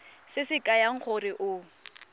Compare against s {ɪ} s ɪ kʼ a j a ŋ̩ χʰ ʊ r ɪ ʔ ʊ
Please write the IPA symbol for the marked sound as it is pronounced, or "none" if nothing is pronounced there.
ɪ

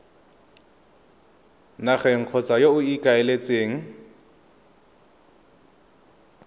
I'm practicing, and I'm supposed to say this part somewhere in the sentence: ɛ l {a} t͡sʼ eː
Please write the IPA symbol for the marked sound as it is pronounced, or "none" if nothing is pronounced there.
e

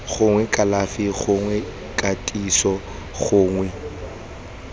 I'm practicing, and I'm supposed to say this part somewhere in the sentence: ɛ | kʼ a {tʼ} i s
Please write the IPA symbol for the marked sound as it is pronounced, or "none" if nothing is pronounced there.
tʼ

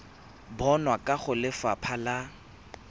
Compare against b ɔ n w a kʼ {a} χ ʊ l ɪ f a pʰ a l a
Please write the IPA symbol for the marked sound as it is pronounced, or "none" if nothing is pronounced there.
a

